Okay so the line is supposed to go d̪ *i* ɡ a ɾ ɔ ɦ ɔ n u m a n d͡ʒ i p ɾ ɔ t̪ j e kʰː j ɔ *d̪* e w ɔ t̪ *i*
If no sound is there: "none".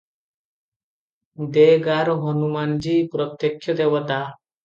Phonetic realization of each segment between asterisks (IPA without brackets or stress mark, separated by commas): e, d̪, a